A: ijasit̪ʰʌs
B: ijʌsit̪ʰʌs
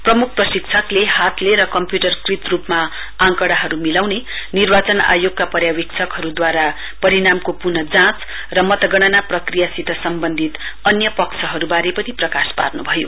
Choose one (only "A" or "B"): A